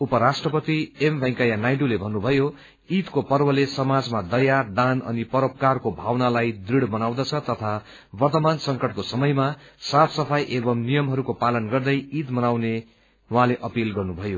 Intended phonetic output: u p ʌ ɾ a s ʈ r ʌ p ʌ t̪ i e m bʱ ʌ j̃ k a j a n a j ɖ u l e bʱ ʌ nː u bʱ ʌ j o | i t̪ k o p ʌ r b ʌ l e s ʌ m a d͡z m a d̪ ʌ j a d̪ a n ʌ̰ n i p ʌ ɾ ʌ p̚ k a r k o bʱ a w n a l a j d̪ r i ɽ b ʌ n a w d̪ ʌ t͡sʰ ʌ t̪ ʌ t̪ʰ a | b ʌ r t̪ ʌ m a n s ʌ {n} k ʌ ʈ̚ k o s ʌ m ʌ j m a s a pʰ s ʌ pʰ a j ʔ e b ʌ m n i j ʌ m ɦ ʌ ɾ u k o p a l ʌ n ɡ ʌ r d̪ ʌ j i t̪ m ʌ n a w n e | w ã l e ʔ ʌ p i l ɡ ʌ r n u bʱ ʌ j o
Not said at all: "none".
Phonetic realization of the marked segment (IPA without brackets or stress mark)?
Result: ŋ